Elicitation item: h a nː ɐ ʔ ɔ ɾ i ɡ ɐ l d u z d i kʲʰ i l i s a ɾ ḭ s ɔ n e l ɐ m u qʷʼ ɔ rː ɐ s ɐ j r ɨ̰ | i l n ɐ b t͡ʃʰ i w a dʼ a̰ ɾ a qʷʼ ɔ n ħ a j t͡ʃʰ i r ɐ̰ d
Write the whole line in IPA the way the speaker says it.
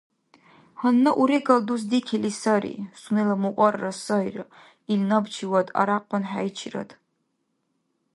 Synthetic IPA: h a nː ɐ ʔ u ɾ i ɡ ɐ l d u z d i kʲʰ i l i s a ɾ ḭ s u n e l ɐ m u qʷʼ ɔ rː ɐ s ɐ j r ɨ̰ | i l n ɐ b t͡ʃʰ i w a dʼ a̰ ɾ a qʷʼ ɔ n ħ a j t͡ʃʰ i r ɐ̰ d